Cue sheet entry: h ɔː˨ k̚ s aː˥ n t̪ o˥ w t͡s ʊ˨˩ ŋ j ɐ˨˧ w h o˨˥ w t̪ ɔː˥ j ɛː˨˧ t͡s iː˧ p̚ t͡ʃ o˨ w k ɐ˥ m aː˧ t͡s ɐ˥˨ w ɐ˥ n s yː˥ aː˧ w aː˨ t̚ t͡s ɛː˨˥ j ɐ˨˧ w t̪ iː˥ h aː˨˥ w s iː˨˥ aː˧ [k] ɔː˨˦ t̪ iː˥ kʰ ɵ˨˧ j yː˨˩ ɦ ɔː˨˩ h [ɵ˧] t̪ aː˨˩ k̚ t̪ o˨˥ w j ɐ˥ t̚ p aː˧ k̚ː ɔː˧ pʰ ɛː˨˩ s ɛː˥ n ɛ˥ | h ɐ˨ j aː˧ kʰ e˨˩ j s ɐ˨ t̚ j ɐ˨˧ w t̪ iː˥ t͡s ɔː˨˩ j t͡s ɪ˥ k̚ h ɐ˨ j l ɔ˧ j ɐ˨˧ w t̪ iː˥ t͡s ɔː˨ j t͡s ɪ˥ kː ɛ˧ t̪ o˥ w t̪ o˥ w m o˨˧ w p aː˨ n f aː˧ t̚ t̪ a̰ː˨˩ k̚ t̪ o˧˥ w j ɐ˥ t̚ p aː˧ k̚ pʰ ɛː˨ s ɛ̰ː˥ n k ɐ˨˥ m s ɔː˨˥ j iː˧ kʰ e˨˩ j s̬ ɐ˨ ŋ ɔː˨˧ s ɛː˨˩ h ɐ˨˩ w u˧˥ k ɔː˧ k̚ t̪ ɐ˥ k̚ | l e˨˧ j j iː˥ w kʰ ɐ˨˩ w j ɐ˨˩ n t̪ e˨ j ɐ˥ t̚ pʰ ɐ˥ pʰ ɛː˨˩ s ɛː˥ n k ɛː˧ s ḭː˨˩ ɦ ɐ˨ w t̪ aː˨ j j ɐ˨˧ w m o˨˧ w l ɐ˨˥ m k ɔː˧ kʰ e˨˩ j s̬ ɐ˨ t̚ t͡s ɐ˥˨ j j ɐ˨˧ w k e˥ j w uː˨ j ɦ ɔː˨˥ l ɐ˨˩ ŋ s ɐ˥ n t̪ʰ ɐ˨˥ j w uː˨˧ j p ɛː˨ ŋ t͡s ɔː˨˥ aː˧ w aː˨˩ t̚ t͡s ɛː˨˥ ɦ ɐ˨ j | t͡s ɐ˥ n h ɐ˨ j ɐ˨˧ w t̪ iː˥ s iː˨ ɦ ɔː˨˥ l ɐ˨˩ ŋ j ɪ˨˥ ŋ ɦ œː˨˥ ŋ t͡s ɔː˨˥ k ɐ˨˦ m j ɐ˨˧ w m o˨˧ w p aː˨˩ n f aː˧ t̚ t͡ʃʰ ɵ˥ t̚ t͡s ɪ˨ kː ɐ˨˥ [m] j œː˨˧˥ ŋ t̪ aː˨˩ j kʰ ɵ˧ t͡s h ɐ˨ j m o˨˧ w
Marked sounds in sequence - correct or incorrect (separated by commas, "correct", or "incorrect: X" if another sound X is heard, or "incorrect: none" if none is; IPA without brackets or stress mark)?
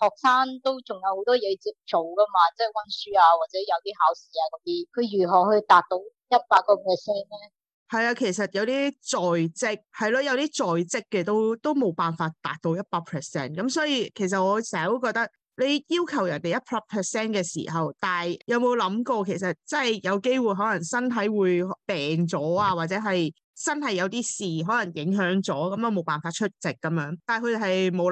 correct, correct, correct